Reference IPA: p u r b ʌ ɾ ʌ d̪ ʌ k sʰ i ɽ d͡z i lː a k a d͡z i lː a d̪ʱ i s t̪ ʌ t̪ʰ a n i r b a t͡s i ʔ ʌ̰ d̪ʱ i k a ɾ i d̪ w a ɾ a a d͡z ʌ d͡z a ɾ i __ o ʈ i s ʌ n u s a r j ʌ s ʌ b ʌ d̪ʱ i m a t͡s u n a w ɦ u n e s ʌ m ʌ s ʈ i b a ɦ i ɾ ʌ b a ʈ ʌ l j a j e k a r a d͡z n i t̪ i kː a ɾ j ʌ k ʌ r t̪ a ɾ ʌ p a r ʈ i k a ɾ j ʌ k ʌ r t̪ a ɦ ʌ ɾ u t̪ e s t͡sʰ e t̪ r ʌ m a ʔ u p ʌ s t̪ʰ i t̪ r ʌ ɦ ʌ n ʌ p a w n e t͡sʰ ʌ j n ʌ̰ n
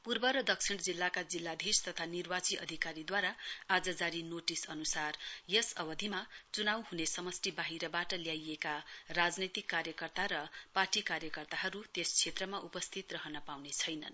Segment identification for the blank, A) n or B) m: A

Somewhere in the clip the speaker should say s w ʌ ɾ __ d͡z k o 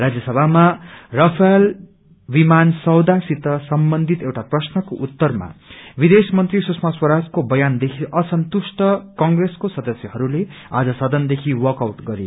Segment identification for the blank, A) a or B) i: A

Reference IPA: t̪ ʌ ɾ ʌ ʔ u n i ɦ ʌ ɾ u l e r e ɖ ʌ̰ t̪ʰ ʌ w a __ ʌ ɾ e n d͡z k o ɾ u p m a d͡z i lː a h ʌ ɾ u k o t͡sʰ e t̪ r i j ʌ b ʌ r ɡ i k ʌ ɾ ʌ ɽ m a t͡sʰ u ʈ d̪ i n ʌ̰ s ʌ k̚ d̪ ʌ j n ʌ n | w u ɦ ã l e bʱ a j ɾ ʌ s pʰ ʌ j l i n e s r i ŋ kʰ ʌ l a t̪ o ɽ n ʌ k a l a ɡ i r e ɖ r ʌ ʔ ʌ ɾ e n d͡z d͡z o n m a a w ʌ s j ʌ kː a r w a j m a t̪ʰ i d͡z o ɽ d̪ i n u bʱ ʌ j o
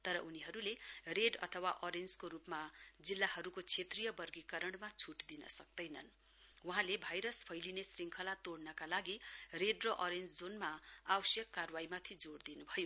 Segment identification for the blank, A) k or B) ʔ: B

